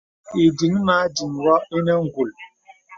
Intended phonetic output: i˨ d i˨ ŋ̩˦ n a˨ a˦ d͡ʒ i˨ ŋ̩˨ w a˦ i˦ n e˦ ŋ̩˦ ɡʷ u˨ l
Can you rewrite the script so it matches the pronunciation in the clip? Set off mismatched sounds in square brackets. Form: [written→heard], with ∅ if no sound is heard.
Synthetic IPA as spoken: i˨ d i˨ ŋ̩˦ n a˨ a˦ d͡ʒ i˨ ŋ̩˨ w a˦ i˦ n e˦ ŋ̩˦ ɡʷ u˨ l